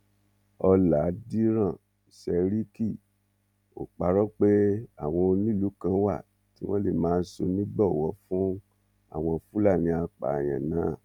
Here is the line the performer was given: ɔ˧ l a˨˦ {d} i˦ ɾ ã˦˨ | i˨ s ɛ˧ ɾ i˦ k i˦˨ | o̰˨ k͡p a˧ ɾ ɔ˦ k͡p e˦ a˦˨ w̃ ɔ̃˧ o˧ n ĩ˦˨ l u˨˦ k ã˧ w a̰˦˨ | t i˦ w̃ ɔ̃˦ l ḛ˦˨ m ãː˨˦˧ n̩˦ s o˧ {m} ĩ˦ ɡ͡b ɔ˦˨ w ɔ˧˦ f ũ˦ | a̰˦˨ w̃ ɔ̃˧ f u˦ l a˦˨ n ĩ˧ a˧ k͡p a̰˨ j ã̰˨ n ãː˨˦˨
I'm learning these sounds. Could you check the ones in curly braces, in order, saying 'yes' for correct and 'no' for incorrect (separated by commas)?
yes, no